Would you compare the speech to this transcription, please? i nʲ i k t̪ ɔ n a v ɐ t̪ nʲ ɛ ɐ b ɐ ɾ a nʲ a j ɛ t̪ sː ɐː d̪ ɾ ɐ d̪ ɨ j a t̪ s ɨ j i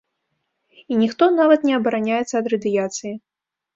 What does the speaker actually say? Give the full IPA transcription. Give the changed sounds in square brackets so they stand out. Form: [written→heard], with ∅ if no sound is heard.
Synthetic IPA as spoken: i nʲ i [k→x] t̪ ɔ n a v ɐ t̪ nʲ ɛ ɐ b ɐ ɾ a nʲ a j ɛ t̪ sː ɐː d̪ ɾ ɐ d̪ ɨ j a t̪ s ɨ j i

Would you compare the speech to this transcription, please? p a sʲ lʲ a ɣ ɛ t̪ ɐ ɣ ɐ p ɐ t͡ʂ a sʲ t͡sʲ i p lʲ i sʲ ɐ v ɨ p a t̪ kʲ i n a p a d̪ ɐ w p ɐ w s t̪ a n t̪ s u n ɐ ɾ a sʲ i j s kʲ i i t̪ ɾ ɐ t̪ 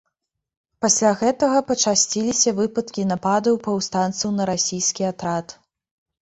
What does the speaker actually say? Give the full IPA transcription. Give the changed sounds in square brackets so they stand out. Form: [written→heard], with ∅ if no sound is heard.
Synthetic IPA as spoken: p a sʲ lʲ a ɣ ɛ t̪ ɐ ɣ ɐ p ɐ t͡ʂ a sʲ t͡sʲ i [p→∅] lʲ i sʲ ɐ v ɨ p [a→ɐ] t̪ kʲ i n a p a d̪ ɐ w p ɐ w s t̪ a n t̪ s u n ɐ ɾ a sʲ i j s kʲ i [i→a] t̪ ɾ [ɐ→a] t̪

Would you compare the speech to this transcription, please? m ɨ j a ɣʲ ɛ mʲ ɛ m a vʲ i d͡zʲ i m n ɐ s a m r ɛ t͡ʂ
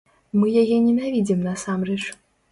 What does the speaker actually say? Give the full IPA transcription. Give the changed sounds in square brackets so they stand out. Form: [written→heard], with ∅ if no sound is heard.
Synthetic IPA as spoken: m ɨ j a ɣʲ ɛ [mʲ→nʲ] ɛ [m→n] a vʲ i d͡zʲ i m n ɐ s a m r ɛ t͡ʂ

